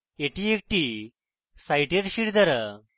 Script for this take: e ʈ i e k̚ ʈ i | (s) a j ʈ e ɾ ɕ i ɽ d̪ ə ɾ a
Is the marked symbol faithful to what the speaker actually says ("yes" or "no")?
yes